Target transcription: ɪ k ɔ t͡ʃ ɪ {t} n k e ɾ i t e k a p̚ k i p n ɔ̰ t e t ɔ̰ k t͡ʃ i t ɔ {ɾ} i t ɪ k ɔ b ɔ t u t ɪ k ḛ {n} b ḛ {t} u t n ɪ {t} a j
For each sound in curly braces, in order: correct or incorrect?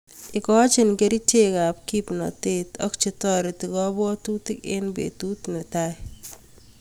incorrect: none, correct, correct, correct, correct

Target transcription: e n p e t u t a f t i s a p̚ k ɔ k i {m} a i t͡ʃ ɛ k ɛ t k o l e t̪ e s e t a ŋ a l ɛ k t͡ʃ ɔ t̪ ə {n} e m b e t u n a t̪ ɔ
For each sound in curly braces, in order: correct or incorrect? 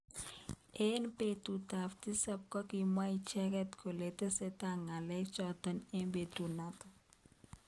correct, correct

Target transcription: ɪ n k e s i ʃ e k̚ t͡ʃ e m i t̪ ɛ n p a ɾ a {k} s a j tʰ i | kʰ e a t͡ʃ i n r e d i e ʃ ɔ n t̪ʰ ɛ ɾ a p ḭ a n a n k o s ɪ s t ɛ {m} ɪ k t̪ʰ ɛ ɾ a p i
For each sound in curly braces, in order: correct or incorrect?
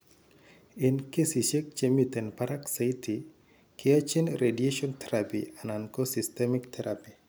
correct, correct

